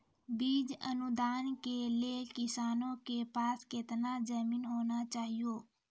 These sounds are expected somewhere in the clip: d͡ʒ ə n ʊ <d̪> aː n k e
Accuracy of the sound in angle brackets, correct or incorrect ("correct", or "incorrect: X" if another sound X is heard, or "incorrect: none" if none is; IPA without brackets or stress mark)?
correct